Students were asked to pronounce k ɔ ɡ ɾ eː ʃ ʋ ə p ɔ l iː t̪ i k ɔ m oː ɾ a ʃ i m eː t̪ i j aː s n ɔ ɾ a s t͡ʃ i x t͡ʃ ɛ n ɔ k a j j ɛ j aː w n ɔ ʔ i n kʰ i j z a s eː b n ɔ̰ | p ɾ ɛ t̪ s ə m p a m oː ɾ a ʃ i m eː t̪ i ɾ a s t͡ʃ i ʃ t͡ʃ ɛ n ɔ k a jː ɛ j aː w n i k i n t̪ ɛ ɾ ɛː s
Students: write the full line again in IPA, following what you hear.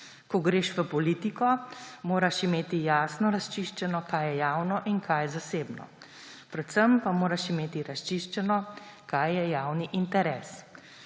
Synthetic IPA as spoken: k ɔ ɡ ɾ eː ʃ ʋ ə p ɔ l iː t̪ i k ɔ m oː ɾ a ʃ i m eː t̪ i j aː s n ɔ ɾ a s t͡ʃ i ʃ t͡ʃ ɛ n ɔ k a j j ɛ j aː w n ɔ ʔ i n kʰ a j z a s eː b n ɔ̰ | p ɾ ɛ t̪ s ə m p a m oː ɾ a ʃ i m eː t̪ i ɾ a s t͡ʃ i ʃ t͡ʃ ɛ n ɔ k a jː ɛ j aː w n i ʔ i n t̪ ɛ ɾ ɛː s